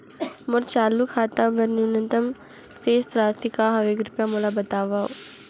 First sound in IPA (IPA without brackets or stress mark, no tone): m